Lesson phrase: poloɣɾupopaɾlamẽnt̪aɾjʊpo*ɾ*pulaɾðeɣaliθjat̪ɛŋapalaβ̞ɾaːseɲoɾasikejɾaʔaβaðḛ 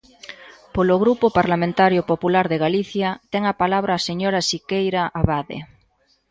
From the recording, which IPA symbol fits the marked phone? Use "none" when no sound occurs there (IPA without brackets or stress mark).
none